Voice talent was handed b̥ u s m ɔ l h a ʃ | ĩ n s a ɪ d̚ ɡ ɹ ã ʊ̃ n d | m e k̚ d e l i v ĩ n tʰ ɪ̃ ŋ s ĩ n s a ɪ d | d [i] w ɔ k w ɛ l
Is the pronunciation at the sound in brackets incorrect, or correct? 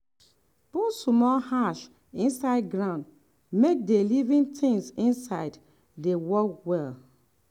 incorrect: e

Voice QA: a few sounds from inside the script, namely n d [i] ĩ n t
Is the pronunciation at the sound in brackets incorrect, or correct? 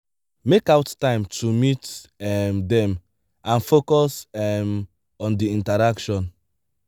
correct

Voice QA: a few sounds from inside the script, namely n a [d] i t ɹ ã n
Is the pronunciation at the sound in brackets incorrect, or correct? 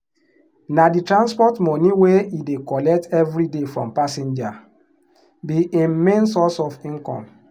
correct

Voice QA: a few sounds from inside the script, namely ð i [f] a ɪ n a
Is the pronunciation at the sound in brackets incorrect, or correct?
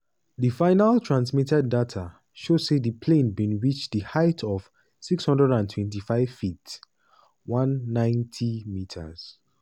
correct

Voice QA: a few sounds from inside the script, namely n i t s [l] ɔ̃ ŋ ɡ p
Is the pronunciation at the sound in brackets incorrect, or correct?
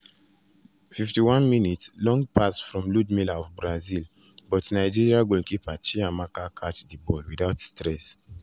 correct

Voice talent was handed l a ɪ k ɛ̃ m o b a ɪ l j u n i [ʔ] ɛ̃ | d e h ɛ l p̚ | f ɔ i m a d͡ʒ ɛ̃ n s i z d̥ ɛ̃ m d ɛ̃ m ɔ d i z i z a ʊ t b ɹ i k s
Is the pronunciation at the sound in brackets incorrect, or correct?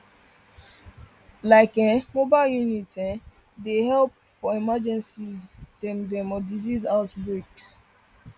incorrect: t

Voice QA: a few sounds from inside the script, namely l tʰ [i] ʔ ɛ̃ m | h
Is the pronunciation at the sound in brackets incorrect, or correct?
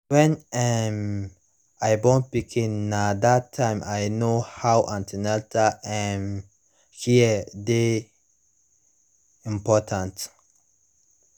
incorrect: a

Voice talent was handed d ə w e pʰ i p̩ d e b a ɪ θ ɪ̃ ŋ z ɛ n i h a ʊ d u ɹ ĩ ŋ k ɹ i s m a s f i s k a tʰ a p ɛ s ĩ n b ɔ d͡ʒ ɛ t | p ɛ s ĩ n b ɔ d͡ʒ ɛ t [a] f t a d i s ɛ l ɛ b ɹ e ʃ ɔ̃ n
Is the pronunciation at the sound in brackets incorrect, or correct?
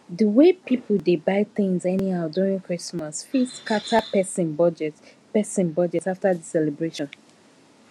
correct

